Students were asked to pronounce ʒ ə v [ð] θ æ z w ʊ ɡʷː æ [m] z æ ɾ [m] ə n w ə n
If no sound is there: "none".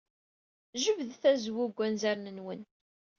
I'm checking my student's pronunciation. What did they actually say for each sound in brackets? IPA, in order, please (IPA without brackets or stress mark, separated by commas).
ð, n, n